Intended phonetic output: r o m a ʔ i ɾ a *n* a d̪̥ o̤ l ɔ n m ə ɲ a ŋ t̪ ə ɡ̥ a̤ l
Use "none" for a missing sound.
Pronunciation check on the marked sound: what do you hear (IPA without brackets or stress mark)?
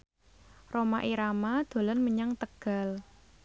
m